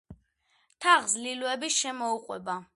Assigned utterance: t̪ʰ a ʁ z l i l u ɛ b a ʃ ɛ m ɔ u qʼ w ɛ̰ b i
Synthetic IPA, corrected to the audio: t̪ʰ a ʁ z l i l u ɛ b i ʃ ɛ m ɔ u qʼ w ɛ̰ b a